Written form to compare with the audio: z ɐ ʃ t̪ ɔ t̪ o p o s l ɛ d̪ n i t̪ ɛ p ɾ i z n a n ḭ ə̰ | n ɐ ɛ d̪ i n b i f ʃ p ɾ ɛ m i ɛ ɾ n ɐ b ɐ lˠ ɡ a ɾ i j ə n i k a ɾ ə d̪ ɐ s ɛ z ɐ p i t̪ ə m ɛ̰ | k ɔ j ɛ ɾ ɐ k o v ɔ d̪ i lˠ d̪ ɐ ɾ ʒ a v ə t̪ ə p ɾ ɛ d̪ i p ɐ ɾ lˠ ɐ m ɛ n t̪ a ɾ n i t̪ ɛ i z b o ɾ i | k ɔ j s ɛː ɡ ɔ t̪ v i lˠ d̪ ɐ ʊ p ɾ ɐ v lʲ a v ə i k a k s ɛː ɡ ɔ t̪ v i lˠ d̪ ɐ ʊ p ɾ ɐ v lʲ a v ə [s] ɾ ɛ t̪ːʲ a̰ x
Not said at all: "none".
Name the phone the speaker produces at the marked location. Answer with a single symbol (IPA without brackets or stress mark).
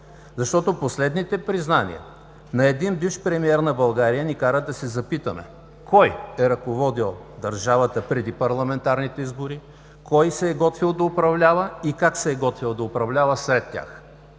s